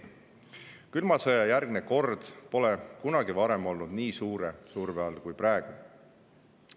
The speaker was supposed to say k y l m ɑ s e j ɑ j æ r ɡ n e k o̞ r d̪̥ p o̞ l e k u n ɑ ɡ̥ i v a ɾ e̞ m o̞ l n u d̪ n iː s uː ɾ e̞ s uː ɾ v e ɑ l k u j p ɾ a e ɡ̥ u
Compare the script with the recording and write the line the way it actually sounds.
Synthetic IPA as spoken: k y l m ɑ s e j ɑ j æ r ɡ n e k o̞ r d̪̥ p o̞ l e k u n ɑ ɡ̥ i v ɑ ɾ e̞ m o̞ l n u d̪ n iː s uː ɾ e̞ s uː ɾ v e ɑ l k u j p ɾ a e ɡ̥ u